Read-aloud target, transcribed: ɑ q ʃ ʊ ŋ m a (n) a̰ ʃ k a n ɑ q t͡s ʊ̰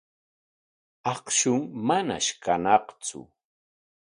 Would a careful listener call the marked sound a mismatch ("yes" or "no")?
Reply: no